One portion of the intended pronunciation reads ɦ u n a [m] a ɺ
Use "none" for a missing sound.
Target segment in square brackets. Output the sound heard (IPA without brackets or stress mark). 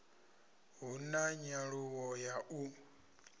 ɲ